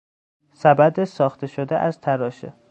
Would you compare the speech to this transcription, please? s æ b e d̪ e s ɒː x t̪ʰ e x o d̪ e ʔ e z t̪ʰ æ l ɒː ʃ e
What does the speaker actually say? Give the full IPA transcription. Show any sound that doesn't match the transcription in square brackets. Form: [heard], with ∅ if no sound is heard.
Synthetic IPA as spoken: s æ b [æ] d̪ e s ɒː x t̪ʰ e [ʃ] o d̪ e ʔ [æ] z t̪ʰ æ [ɾ] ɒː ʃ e